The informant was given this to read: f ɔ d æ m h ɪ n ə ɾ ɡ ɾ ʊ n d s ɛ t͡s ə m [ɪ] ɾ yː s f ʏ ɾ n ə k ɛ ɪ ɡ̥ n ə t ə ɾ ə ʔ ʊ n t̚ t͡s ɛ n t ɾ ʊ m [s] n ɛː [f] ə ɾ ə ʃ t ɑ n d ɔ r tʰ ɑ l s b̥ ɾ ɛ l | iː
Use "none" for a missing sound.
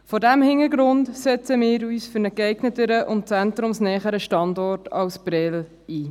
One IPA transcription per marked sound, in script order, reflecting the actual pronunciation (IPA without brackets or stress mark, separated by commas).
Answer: ɪː, s, χ